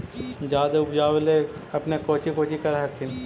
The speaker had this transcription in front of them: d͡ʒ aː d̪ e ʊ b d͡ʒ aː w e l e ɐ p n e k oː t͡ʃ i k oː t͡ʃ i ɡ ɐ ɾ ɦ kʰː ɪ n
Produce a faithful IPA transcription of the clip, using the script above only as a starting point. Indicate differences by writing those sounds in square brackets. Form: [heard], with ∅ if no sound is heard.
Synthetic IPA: d͡ʒ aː d̪ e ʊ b d͡ʒ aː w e l e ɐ p n e k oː t͡ʃ i k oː t͡ʃ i [k] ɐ ɾ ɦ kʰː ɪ n